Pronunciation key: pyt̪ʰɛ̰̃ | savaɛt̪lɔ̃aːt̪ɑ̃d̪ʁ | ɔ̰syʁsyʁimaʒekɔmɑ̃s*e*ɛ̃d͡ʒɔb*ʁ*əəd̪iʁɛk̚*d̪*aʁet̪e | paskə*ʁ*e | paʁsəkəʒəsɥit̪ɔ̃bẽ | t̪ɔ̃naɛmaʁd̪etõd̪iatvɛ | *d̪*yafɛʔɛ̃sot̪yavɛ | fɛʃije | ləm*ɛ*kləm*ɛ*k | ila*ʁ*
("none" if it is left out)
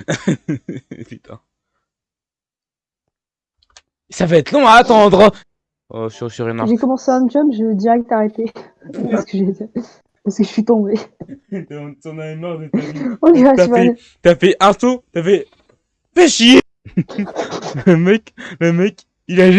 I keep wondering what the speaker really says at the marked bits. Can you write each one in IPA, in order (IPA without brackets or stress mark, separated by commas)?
e, ʒ, t̪, ʒ, t̪, ɛ, ɛ, ʒ